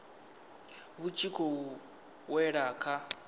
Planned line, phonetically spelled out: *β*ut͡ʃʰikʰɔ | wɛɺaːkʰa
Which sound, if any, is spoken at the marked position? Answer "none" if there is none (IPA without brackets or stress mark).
β